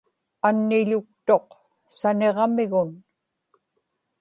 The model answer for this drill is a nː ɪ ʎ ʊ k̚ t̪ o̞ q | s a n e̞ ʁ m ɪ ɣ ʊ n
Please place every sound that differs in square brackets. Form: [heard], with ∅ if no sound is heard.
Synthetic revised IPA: a nː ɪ ʎ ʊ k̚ t̪ o̞ q | s a n e̞ ʁ m ɪ ɣ ʊ n